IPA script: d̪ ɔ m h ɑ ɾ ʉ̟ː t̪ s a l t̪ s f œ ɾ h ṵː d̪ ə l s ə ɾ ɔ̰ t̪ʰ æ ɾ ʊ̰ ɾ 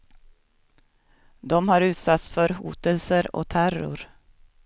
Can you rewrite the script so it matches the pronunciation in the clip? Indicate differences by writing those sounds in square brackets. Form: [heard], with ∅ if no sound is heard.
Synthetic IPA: d̪ ɔ m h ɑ ɾ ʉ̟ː t̪ s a [∅] t̪ s f œ ɾ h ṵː [t̪] ə l s ə ɾ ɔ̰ t̪ʰ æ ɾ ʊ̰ ɾ